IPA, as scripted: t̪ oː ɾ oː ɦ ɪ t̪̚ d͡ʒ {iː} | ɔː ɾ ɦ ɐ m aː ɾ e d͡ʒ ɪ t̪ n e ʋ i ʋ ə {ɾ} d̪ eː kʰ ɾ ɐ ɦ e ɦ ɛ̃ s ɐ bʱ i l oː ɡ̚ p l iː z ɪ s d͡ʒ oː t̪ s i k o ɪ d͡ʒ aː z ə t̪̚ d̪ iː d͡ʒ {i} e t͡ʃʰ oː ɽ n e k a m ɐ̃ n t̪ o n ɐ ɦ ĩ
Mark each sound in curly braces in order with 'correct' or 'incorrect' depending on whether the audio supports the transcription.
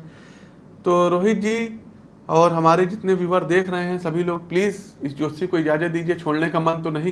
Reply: correct, correct, correct

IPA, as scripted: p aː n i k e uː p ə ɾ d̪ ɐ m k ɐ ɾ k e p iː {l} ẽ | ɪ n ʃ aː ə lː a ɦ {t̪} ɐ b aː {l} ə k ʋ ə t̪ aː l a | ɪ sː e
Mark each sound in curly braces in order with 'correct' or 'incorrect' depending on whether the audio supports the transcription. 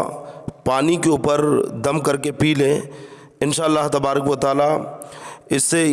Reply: correct, correct, incorrect

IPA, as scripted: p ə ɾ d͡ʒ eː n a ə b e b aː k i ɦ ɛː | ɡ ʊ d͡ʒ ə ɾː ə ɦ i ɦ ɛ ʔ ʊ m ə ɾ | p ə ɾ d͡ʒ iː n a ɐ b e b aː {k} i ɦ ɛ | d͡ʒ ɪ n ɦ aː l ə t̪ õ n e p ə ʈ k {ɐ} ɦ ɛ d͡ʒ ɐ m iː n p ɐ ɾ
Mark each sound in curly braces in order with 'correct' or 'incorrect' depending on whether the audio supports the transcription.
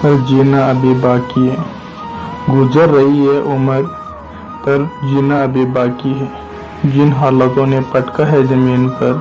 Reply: correct, incorrect

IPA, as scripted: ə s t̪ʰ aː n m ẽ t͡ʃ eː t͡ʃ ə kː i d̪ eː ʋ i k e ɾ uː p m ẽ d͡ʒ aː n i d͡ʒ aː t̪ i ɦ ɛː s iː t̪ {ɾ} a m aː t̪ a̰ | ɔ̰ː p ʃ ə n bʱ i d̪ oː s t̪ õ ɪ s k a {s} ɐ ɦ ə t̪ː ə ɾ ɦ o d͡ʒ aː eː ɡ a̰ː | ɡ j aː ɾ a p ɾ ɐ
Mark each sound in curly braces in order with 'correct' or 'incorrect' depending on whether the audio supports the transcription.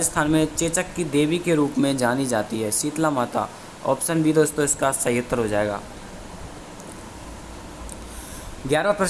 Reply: incorrect, correct

